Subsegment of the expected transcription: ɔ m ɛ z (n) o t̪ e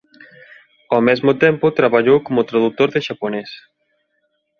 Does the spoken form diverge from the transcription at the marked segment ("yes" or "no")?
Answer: yes